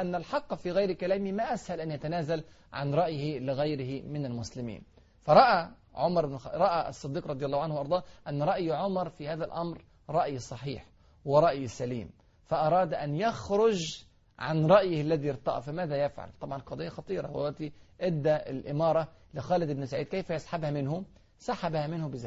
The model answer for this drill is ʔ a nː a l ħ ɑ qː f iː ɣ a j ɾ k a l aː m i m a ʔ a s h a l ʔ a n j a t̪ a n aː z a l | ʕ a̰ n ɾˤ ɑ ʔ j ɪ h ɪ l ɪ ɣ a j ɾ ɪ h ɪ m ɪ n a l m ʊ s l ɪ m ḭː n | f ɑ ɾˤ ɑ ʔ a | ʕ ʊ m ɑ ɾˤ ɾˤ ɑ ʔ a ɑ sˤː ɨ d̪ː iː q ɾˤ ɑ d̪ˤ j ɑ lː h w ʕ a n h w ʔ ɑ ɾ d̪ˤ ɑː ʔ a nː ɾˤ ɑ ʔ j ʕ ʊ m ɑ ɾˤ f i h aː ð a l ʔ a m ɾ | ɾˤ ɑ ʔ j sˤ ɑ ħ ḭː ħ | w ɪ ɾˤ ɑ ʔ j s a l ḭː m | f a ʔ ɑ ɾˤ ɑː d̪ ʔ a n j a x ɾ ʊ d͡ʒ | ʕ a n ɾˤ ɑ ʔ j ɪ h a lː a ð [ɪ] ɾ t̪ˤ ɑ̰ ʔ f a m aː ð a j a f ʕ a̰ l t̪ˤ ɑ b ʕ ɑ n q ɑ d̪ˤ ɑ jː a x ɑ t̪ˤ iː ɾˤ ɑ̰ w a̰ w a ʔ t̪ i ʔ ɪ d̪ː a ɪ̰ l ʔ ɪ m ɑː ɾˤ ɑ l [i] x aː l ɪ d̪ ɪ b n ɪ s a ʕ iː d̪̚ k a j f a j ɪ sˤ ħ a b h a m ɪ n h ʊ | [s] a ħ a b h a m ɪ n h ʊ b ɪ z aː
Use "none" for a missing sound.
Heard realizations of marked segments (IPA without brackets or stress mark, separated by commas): i, ɪ, s